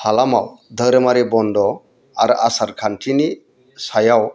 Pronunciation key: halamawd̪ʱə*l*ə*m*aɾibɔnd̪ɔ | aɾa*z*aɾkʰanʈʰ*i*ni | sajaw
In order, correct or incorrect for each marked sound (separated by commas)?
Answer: incorrect, correct, incorrect, correct